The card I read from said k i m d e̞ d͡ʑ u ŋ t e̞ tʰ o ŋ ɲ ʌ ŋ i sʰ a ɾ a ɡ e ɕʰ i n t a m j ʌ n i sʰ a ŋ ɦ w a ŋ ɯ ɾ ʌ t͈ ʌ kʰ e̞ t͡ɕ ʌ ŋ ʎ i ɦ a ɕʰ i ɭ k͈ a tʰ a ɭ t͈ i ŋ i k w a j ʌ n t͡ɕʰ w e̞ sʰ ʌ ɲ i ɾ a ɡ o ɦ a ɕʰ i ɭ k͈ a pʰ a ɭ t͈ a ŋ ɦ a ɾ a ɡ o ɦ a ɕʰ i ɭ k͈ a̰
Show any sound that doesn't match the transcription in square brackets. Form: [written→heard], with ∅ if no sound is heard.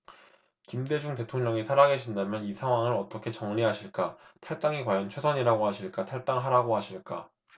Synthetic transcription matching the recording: k i m d e̞ d͡ʑ u ŋ t e̞ tʰ o ŋ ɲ ʌ ŋ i sʰ a ɾ a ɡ e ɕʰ i n [t→d] a m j ʌ n i sʰ a ŋ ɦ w a ŋ ɯ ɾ ʌ t͈ ʌ kʰ e̞ t͡ɕ ʌ ŋ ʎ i ɦ a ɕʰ i ɭ k͈ a tʰ a ɭ t͈ [i→a] ŋ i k w a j ʌ n t͡ɕʰ w e̞ sʰ ʌ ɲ i ɾ a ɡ o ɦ a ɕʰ i ɭ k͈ a [pʰ→tʰ] a ɭ t͈ a ŋ ɦ a ɾ a ɡ o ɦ a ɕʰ i ɭ k͈ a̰